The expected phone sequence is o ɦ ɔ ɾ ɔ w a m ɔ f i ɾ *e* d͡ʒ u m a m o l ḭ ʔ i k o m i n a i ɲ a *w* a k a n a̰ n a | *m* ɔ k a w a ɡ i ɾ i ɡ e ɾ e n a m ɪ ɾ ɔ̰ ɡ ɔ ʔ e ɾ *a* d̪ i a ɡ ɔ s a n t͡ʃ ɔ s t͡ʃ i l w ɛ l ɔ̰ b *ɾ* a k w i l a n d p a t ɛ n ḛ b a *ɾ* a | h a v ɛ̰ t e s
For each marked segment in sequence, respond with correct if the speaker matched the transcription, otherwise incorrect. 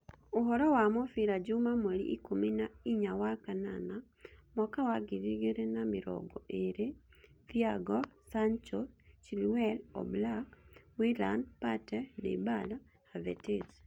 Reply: incorrect: a, correct, correct, incorrect: e, incorrect: l, incorrect: l

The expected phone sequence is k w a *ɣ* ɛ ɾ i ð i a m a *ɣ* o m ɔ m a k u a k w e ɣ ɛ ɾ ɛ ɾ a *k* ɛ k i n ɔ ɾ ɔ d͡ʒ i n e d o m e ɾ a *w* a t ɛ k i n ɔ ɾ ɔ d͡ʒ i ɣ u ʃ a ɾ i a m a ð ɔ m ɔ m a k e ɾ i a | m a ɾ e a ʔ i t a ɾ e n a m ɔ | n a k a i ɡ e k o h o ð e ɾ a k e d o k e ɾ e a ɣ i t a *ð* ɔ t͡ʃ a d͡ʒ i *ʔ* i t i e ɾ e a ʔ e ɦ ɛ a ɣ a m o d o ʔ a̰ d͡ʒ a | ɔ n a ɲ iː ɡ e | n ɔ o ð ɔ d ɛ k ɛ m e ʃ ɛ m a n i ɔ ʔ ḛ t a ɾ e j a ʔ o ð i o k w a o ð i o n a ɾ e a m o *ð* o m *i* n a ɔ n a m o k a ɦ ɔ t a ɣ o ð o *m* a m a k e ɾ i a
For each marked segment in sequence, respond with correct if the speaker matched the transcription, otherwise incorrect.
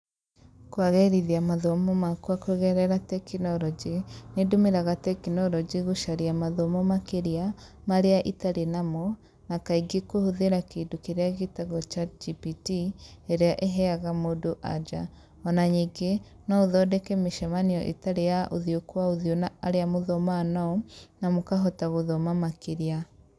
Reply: correct, incorrect: ð, incorrect: t, incorrect: ɣ, incorrect: ɣ, incorrect: p, correct, incorrect: a, correct

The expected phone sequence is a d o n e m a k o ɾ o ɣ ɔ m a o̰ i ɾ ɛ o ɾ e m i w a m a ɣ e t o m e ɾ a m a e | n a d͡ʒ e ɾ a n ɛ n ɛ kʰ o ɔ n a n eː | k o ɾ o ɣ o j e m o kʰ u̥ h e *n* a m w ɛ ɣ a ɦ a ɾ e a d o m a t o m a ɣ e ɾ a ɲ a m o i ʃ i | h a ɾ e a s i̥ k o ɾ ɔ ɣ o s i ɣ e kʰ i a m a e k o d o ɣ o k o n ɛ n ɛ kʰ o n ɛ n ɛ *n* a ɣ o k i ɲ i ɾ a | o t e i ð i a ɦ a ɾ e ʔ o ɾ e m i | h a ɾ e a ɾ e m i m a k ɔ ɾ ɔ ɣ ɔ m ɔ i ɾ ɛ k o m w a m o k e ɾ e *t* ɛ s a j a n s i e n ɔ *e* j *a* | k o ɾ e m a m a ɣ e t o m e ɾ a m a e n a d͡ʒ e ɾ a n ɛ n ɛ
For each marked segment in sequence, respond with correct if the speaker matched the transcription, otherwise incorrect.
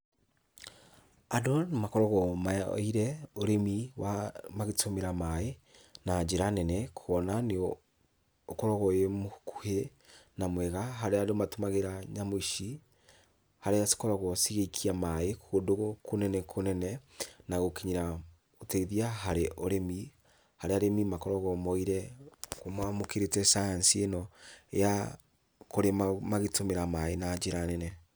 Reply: correct, correct, correct, correct, correct

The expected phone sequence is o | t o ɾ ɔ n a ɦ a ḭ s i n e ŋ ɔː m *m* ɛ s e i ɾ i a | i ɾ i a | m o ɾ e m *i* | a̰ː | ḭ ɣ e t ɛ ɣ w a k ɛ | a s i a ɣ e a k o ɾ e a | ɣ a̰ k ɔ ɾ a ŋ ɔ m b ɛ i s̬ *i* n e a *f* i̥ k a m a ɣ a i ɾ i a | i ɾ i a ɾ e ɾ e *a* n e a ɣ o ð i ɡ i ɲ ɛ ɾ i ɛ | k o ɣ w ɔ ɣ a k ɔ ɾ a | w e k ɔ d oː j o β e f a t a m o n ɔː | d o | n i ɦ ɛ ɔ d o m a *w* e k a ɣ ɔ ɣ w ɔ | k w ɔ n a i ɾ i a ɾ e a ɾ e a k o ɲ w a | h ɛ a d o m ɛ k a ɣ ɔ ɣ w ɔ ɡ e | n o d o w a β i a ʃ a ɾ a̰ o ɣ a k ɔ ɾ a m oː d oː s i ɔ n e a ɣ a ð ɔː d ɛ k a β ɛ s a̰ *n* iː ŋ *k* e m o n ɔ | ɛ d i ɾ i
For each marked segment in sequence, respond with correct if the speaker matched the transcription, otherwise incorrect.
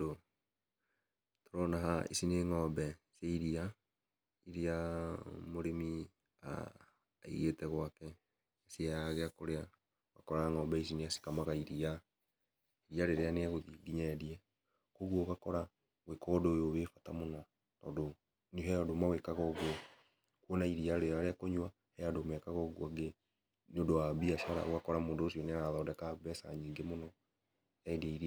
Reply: incorrect: b, correct, correct, incorrect: s, correct, correct, incorrect: ɲ, incorrect: ɡ

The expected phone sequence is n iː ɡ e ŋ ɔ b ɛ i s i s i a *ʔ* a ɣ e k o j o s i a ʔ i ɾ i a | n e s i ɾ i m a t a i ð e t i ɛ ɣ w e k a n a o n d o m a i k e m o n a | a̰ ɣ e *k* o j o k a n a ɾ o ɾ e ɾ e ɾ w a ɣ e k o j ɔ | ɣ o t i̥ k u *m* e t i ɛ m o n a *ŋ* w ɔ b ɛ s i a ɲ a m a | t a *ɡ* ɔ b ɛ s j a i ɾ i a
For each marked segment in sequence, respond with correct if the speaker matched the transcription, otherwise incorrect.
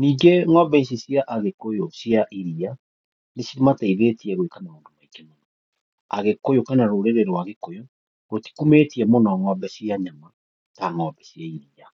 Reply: correct, correct, correct, correct, incorrect: ŋ

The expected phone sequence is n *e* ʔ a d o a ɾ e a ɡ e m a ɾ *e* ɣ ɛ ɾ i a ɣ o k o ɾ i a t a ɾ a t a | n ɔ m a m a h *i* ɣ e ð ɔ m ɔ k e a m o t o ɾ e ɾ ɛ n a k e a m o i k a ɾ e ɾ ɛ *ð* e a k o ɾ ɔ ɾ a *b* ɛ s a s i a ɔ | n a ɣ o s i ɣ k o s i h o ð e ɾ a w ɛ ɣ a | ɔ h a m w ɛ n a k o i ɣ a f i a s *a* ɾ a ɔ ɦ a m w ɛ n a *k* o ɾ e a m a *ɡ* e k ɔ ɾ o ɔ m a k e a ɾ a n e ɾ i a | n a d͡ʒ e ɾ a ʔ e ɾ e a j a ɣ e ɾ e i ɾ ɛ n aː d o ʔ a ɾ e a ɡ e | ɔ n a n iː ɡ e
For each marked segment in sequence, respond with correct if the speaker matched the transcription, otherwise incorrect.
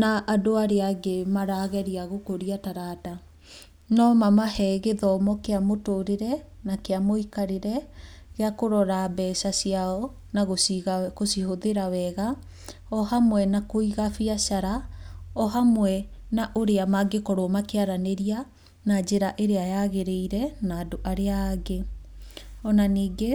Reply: incorrect: a, incorrect: a, incorrect: ɛ, incorrect: ɣ, correct, correct, incorrect: ʔ, correct

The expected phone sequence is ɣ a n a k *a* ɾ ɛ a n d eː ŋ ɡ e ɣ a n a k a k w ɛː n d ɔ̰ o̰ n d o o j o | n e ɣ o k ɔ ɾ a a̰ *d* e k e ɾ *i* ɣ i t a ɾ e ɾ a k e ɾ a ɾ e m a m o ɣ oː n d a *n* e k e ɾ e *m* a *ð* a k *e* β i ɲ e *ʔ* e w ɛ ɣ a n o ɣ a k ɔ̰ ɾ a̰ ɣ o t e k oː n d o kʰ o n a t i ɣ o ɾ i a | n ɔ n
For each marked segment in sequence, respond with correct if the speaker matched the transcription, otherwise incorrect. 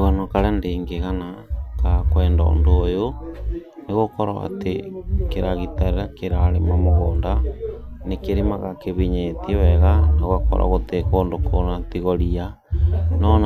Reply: correct, incorrect: t, incorrect: a, correct, correct, incorrect: ɣ, correct, incorrect: t

